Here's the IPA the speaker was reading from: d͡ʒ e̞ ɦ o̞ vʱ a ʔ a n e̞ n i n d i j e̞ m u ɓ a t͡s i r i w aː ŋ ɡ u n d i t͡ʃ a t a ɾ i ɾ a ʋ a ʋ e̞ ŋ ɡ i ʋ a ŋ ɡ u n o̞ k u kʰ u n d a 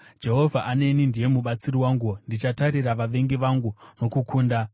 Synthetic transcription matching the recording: d͡ʒ e̞ ɦ o̞ vʱ a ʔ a n e̞ n i n d i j e̞ m u ɓ a t͡s i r i w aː ŋ ɡ u n d i t͡ʃ a t a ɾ i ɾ a ʋ a ʋ e̞ ŋ ɡ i ʋ a ŋ ɡ u n o̞ k u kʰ uː n d a